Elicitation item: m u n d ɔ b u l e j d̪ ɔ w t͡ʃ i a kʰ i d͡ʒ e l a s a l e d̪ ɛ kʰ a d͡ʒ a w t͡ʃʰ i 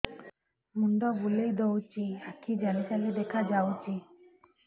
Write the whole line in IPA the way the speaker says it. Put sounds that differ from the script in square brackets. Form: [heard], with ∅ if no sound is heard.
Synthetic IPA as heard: m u n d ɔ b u l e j d̪ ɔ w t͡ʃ i a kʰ i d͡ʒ [a] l [i] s a l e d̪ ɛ kʰ a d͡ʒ a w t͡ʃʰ i